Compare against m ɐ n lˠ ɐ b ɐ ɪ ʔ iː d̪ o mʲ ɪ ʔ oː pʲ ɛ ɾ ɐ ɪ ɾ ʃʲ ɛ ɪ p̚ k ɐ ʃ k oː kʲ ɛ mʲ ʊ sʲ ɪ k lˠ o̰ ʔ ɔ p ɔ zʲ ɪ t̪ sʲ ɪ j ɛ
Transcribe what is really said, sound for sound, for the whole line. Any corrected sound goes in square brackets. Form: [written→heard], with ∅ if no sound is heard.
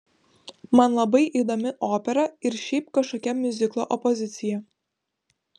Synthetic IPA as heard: m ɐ n lˠ ɐ b ɐ ɪ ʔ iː d̪ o mʲ ɪ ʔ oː pʲ ɛ ɾ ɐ ɪ ɾ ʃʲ ɛ ɪ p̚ k ɐ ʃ k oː kʲ ɛ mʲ ʊ [sʲ→zʲ] ɪ k lˠ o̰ ʔ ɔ p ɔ zʲ ɪ t̪ sʲ ɪ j ɛ